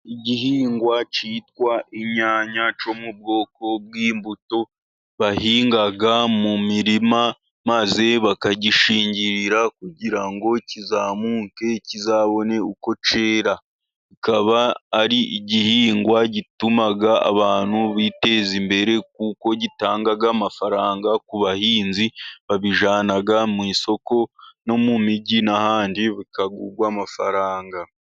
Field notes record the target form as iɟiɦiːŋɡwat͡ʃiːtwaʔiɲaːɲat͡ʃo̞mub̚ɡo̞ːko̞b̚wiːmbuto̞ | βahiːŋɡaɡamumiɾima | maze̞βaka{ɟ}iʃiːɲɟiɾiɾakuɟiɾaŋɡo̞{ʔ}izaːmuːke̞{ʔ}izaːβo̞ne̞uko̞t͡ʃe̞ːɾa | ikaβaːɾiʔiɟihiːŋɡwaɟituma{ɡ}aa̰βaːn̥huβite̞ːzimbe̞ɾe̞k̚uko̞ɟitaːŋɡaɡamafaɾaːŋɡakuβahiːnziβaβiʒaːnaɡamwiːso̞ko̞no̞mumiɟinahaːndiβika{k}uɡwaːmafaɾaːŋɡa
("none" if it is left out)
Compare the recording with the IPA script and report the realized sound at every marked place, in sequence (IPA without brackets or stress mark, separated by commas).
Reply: ɟ, c, c, ɡ, ɡ